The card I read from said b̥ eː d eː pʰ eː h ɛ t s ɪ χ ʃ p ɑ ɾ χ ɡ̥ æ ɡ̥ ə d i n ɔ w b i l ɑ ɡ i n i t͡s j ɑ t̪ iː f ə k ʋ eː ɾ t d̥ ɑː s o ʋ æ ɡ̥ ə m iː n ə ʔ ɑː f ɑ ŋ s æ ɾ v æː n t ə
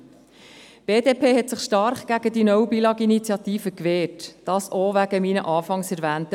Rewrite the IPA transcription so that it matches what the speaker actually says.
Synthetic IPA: b̥ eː d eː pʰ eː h ɛ t s ɪ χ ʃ t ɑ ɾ χ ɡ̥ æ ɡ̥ ə d i n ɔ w b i l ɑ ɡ i n i t͡s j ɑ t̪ iː f ə k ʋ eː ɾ t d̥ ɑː s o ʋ æ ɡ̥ ə m iː n ə ʔ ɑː f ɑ ŋ s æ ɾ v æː n t ə